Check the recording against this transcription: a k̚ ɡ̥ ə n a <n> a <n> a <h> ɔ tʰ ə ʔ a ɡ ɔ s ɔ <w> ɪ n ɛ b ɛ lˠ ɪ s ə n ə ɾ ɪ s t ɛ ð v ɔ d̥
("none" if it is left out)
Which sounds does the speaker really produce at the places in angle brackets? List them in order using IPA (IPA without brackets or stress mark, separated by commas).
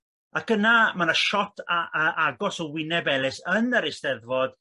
m, n, ʃ, w